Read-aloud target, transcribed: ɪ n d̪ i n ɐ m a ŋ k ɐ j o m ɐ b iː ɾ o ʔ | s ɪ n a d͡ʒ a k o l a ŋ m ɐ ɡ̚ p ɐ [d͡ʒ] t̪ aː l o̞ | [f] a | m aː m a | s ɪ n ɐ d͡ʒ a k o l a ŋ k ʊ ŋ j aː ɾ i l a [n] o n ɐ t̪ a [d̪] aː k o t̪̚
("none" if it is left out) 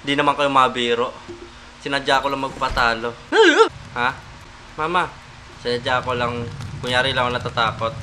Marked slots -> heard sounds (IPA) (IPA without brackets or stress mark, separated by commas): none, h, ŋ, t̪